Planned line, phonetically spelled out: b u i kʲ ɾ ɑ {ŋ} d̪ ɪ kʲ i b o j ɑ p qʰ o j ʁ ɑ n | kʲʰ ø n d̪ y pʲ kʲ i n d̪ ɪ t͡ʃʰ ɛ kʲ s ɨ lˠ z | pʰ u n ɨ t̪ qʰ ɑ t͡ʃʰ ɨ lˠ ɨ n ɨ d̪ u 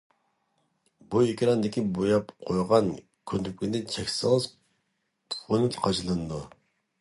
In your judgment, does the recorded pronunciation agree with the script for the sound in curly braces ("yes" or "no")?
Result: no